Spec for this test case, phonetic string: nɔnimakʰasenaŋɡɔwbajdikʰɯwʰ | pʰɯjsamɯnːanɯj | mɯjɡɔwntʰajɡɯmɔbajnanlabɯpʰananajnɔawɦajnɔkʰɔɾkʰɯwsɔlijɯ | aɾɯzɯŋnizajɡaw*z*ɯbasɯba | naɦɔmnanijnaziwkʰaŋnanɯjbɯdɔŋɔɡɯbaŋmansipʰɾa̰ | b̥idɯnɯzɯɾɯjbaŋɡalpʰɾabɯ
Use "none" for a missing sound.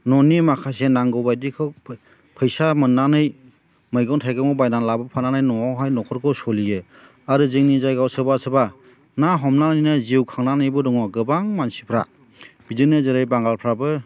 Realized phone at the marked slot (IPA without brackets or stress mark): s